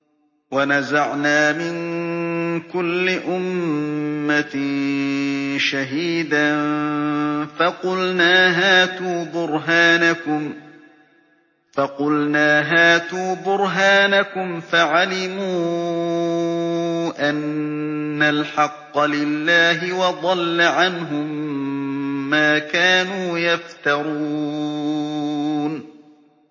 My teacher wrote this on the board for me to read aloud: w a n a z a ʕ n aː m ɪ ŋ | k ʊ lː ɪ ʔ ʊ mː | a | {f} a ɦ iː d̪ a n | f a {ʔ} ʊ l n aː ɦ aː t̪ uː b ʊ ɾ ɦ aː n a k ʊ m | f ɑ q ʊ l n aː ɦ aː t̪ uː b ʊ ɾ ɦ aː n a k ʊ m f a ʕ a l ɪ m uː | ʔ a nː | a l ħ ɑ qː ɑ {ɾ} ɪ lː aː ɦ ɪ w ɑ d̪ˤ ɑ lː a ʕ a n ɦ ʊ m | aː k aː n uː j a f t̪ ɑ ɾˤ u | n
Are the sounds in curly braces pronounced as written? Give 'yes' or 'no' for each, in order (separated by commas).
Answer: no, no, no